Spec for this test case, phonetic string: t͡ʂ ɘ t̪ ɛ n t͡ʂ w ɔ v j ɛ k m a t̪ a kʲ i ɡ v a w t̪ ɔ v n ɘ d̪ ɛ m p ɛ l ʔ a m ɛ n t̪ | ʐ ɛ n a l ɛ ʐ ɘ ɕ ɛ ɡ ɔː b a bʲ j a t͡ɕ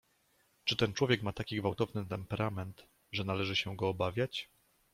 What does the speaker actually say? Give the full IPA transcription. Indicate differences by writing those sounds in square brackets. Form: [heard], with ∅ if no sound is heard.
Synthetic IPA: t͡ʂ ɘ t̪ ɛ n t͡ʂ w ɔ v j ɛ k m a t̪ a kʲ i ɡ v a w t̪ ɔ v n ɘ [t̪] ɛ m p ɛ [ɾ] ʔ a m ɛ n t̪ | ʐ ɛ n a l ɛ ʐ ɘ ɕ ɛ ɡ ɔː b a [vʲ] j a t͡ɕ